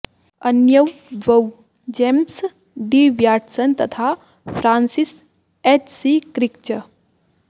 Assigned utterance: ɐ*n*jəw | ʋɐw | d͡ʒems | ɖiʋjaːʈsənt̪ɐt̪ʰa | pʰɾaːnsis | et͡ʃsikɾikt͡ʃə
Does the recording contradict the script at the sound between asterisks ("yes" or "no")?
no